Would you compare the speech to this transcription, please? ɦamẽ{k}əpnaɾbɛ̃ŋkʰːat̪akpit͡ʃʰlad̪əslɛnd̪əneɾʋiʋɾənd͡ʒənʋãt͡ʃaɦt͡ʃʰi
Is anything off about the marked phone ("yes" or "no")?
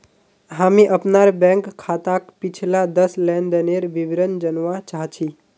yes